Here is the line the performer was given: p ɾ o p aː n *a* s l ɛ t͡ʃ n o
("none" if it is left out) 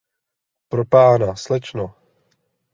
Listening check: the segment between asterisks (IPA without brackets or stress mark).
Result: a